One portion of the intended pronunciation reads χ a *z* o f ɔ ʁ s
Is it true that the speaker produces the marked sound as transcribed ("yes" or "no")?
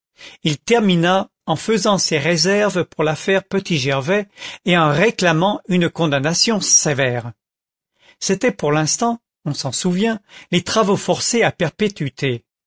no